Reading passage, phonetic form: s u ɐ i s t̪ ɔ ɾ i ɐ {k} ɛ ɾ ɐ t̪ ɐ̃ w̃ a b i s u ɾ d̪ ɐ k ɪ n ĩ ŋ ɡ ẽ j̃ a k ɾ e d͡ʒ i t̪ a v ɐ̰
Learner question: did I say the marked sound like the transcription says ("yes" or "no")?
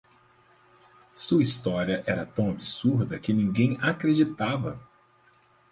no